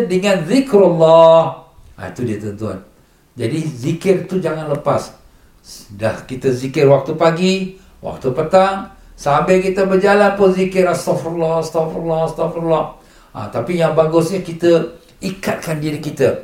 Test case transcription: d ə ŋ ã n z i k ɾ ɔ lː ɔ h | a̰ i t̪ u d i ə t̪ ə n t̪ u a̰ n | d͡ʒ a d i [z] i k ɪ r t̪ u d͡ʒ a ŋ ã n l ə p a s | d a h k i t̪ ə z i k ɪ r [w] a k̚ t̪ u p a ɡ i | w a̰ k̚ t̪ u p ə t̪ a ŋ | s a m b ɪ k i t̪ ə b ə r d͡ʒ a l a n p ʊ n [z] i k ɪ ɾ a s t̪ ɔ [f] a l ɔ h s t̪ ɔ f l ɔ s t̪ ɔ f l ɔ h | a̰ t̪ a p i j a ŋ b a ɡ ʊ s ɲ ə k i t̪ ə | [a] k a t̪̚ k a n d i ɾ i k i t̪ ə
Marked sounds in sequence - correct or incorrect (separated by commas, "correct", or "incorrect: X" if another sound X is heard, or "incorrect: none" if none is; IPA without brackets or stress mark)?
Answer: correct, correct, correct, correct, incorrect: i